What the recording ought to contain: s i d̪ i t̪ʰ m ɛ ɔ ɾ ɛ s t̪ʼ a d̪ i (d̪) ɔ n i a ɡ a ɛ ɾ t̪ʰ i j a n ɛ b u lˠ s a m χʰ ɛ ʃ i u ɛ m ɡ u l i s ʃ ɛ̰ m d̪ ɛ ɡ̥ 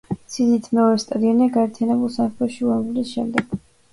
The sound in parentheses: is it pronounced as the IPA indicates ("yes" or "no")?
no